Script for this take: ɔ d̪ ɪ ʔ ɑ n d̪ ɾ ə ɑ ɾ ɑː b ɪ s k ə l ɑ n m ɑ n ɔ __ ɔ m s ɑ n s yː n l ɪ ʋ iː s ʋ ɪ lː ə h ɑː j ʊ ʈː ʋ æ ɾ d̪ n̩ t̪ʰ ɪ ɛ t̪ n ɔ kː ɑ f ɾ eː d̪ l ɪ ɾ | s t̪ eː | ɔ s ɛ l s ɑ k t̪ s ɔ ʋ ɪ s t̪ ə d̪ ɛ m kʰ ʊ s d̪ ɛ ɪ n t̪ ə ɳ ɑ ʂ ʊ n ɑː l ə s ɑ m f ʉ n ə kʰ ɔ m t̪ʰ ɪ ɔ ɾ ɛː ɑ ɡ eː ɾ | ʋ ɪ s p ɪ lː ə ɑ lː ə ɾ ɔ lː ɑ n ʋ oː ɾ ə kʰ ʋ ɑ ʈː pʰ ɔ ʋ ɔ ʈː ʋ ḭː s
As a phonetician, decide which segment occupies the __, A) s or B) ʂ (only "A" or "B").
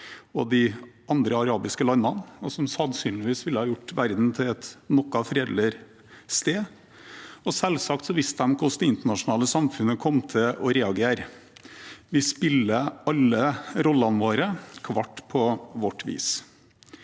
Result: A